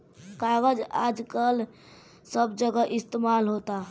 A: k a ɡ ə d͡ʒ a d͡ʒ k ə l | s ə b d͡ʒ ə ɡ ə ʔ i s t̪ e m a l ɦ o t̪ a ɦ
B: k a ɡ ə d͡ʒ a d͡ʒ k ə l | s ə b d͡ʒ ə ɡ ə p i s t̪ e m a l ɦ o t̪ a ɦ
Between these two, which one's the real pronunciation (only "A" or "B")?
A